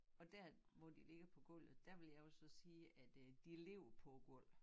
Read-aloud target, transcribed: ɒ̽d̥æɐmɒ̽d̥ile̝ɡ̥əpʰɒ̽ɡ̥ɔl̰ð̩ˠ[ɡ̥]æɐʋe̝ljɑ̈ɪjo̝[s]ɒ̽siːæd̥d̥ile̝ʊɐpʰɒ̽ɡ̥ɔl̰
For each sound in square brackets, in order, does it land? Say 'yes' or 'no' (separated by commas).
no, yes